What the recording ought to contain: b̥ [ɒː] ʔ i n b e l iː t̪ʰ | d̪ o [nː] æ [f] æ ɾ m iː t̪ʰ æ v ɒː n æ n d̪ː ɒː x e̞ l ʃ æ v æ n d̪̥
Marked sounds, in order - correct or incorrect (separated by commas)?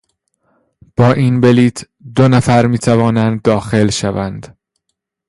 correct, incorrect, correct